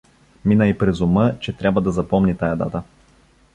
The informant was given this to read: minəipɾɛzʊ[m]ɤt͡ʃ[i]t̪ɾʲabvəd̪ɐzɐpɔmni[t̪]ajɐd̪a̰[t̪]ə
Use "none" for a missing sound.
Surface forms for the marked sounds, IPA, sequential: m, ɛ, t̪, t̪

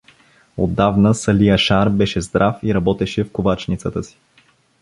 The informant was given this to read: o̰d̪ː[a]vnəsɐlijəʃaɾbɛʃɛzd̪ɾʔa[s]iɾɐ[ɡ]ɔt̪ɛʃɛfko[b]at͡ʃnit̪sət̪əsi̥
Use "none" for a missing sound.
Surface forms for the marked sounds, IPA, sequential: a, f, b, v

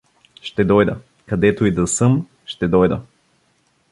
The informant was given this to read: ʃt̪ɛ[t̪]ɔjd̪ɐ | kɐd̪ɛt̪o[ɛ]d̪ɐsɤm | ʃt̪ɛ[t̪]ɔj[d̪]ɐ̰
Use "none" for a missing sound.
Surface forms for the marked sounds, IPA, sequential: d̪, i, d̪, d̪

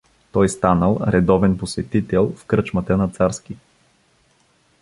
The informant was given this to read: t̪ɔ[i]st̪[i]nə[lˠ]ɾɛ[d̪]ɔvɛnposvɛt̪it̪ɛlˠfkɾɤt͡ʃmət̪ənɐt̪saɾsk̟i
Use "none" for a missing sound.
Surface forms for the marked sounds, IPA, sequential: j, a, lˠ, d̪

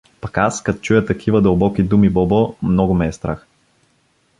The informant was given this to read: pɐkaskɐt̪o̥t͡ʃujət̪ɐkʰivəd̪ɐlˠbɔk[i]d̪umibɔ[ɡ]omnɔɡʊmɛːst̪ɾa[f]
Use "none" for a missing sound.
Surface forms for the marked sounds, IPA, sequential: i, b, x

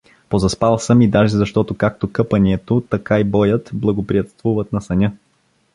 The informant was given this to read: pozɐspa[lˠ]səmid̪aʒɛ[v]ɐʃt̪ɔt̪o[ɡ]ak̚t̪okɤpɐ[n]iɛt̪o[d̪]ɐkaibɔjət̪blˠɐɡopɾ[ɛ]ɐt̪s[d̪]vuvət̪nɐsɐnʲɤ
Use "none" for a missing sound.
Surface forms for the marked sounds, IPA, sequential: lˠ, z, k, n, t̪, i, t̪

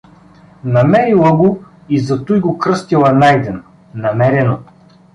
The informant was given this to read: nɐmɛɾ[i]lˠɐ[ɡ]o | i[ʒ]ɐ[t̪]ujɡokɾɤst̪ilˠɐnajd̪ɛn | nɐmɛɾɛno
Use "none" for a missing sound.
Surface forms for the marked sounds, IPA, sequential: i, ɡ, z, t̪

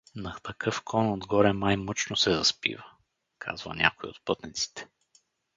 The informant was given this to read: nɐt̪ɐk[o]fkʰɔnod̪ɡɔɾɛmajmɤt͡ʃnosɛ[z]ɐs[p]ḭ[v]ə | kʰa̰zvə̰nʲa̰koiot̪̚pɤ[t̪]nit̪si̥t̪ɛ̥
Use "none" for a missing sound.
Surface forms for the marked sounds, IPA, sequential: ɤ, z, p, v, t̪

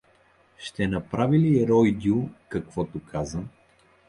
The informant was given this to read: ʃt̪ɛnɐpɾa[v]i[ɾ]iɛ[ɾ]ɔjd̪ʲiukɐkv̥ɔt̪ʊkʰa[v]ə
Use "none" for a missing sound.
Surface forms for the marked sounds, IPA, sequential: v, l, ɾ, z

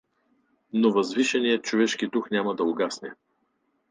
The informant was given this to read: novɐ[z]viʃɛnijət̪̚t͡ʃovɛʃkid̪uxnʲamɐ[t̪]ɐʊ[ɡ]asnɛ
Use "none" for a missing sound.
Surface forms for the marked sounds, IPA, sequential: z, d̪, ɡ

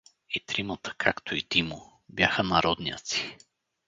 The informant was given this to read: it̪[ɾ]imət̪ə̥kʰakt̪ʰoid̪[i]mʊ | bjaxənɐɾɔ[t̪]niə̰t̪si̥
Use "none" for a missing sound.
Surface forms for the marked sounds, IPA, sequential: ɾ, i, d̪

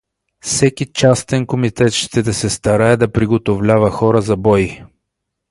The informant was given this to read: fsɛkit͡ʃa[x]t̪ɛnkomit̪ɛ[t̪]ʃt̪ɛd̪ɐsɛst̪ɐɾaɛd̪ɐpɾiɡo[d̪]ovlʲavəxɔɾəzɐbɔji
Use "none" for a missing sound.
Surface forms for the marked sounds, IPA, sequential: s, t̪, t̪

